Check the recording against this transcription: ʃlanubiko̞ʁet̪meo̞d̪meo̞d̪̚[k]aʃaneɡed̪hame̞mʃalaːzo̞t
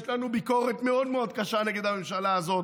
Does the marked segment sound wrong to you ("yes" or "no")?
no